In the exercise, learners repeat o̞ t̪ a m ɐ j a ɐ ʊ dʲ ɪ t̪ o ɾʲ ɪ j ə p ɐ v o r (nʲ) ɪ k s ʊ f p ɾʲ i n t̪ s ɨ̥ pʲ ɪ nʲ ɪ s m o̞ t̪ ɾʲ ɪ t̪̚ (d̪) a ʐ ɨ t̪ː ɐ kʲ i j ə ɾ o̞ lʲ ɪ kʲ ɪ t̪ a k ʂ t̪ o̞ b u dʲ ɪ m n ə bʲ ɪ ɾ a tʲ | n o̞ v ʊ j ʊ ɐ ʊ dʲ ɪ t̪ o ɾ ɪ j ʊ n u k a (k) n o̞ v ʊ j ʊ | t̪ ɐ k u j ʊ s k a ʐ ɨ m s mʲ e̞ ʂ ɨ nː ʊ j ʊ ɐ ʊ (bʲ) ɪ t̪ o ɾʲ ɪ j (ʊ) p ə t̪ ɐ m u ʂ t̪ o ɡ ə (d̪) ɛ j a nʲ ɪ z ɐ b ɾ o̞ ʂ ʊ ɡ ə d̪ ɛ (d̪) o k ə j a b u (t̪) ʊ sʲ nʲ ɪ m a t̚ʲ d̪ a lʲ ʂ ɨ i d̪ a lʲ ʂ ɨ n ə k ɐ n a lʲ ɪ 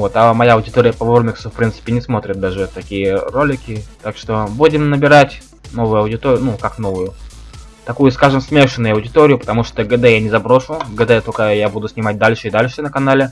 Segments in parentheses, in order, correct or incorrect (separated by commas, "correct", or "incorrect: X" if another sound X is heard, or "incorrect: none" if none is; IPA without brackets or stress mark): incorrect: mʲ, correct, correct, incorrect: dʲ, correct, correct, incorrect: t̪, incorrect: d̪